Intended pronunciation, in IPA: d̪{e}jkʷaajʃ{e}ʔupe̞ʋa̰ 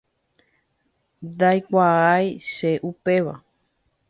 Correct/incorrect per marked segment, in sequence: incorrect: a, correct

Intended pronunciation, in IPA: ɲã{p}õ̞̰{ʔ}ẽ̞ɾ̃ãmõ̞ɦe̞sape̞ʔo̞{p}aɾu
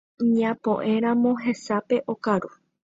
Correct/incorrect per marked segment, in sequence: correct, correct, incorrect: k

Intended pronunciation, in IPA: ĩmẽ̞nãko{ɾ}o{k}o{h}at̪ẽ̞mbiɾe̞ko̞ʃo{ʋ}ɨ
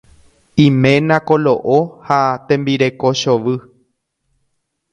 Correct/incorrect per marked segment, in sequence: incorrect: l, incorrect: ʔ, correct, correct

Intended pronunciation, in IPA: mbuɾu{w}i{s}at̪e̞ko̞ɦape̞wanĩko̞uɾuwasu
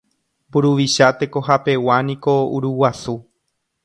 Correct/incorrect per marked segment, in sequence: incorrect: ʋ, incorrect: ʃ

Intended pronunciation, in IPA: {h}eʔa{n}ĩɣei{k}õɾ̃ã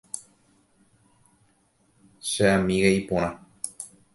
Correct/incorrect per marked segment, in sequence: incorrect: ʃ, incorrect: m, incorrect: p

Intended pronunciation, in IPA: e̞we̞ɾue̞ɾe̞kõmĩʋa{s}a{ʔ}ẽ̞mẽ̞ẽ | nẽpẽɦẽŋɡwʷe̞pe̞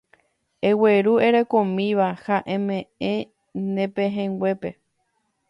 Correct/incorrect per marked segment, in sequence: incorrect: h, correct

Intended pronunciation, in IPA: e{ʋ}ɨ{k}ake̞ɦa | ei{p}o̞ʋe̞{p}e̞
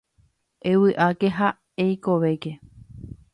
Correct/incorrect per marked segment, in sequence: incorrect: w, incorrect: ʔ, incorrect: k, incorrect: k

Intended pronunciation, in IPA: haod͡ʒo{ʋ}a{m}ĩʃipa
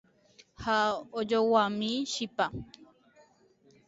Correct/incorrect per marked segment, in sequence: incorrect: w, correct

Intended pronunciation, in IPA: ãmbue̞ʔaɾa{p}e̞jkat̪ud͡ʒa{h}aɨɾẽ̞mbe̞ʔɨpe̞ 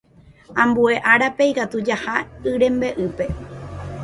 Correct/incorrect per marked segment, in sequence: correct, correct

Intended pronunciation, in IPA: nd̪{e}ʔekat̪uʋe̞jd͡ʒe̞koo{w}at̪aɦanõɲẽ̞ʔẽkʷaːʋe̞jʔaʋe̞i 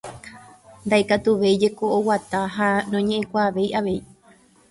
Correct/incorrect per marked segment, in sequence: incorrect: a, correct

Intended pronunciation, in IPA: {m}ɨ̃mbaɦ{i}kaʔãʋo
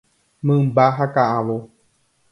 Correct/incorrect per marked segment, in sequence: correct, incorrect: a

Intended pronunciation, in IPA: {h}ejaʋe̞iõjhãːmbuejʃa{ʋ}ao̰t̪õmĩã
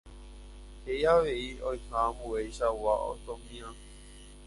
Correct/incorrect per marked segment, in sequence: correct, incorrect: w

